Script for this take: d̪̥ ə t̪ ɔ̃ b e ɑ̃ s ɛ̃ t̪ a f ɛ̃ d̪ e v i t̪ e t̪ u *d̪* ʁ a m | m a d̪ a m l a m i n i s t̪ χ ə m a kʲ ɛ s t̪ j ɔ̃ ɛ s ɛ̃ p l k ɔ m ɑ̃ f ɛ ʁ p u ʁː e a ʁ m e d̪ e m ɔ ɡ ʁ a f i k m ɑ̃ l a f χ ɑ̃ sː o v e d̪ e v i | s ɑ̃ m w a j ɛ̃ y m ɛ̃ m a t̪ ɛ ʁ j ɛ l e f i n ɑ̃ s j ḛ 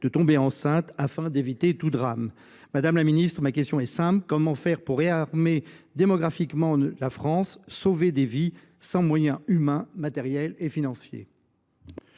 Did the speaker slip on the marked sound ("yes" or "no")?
no